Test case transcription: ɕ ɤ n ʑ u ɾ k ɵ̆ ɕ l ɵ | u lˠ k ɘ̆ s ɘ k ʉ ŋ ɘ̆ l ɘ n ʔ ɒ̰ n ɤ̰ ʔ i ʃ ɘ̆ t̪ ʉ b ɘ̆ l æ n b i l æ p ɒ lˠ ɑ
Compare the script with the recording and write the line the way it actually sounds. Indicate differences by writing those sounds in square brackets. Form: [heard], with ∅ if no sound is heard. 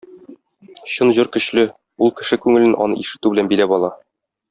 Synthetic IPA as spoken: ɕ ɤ n ʑ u ɾ k ɵ̆ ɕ l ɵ | u lˠ k ɘ̆ [ʃ] ɘ k ʉ ŋ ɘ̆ l ɘ n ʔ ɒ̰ n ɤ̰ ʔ i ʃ ɘ̆ t̪ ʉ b ɘ̆ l æ n b i l æ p ɒ lˠ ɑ